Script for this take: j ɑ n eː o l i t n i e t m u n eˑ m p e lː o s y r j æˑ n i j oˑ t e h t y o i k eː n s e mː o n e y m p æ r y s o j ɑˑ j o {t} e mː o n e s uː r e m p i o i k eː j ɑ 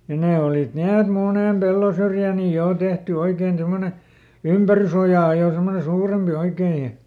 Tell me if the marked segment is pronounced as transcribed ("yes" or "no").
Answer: no